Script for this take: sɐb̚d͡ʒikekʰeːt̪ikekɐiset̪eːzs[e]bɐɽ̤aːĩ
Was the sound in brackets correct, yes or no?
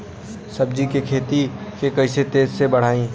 yes